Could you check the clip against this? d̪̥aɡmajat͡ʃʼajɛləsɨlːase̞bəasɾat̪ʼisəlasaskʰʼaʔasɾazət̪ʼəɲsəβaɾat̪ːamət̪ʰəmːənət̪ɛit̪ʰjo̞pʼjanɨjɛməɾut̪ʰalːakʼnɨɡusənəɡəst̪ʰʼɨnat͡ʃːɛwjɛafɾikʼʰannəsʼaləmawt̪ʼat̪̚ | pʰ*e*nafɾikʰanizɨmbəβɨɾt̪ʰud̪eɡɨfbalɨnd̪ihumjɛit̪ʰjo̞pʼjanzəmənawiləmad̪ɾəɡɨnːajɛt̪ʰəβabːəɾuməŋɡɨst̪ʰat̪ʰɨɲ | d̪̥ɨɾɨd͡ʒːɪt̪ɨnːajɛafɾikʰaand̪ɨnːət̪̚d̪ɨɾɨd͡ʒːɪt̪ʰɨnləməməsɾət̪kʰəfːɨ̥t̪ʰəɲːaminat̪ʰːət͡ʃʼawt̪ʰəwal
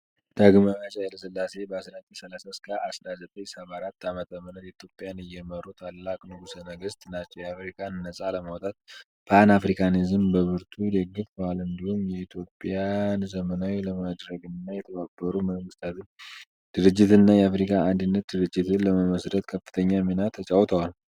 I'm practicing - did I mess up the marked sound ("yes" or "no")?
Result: yes